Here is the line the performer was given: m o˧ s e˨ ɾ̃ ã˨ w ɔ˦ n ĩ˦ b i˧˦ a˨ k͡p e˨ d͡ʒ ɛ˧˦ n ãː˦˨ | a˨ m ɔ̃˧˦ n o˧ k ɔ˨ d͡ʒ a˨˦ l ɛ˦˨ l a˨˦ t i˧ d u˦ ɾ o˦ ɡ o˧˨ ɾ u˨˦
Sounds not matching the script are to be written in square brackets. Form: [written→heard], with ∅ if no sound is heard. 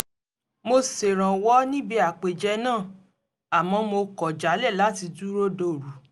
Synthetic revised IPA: m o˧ s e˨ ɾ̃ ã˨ w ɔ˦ n ĩ˦ b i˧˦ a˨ k͡p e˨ d͡ʒ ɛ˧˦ n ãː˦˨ | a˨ m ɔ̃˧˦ [n→m] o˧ k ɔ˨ d͡ʒ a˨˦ l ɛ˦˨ l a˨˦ t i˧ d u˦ ɾ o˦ [ɡ→d] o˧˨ ɾ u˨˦